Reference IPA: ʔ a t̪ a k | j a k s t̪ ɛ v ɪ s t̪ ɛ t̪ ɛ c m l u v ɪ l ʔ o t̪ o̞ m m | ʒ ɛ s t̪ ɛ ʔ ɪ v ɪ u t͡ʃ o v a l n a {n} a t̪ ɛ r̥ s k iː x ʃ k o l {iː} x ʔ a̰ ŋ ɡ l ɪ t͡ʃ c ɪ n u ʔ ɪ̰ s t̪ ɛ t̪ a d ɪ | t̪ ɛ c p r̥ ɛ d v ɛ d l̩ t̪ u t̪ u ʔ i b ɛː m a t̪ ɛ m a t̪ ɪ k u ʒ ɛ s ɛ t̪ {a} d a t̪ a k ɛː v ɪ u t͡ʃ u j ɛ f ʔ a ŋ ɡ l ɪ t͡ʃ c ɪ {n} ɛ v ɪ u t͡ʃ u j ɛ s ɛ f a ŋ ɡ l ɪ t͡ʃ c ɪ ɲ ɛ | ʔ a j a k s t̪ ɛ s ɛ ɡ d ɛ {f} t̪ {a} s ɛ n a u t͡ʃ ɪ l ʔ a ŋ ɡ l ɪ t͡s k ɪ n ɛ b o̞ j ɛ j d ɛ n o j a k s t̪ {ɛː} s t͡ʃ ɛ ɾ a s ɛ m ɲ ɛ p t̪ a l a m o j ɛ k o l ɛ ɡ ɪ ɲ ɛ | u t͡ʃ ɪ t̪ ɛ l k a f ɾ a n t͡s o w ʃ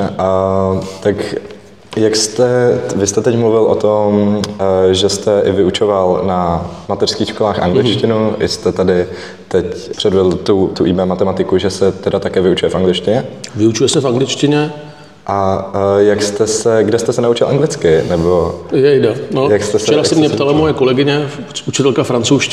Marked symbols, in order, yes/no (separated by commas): no, no, no, no, no, no, no